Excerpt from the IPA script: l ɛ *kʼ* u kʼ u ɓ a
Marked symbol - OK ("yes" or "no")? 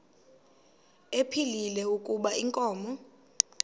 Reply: no